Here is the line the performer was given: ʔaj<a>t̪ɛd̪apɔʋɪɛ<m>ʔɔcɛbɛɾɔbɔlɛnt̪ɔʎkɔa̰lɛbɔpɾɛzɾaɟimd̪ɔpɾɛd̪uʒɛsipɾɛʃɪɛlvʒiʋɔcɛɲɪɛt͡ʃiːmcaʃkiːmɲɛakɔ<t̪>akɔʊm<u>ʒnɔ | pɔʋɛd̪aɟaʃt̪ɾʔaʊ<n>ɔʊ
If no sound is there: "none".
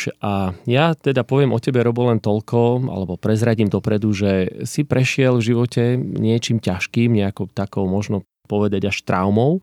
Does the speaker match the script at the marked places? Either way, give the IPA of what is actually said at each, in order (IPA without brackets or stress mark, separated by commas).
a, m, t̪, ɔ, m